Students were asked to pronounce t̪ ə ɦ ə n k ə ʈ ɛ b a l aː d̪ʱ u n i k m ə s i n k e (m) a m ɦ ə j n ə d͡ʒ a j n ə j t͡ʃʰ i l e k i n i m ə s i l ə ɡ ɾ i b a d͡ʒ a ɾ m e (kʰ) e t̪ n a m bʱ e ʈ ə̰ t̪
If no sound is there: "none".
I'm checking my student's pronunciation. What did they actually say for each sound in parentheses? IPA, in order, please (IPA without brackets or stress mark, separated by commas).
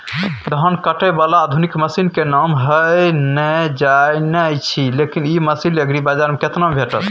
n, k